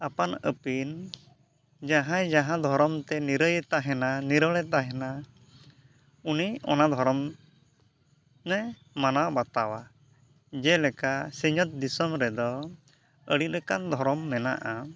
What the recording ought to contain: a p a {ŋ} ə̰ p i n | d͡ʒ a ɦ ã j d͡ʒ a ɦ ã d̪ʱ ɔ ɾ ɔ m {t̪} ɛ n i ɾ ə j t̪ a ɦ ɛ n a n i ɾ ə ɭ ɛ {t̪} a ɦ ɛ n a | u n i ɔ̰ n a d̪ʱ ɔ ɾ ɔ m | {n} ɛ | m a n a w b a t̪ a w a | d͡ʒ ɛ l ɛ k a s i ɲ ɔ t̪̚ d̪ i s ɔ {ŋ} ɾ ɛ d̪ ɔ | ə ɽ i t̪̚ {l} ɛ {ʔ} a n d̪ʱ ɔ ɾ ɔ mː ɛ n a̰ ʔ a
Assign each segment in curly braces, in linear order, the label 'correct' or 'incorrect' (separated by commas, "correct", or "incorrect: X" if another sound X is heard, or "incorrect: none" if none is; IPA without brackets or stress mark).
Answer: incorrect: n, correct, correct, correct, incorrect: m, incorrect: ɾ, incorrect: k